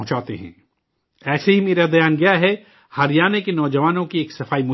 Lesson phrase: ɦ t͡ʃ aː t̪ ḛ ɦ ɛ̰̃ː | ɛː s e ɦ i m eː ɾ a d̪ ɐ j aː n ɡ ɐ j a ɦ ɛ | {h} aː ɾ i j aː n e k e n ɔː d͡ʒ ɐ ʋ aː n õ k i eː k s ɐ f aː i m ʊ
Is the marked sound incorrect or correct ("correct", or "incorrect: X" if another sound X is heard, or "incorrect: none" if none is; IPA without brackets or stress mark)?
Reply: correct